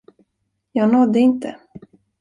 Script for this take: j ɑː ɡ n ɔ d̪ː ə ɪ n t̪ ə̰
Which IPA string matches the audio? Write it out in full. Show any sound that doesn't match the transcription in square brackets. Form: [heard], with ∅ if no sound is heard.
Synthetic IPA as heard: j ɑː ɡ n ɔ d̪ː ə ɪ n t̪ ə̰